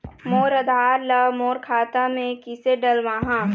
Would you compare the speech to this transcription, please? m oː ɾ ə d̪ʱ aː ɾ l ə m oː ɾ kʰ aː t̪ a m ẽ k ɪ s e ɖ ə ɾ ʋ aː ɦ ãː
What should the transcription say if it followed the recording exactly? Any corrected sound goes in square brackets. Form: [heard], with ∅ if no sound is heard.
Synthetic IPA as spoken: m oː ɾ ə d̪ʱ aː ɾ l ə m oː ɾ kʰ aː t̪ a m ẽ k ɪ s e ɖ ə [l] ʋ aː ɦ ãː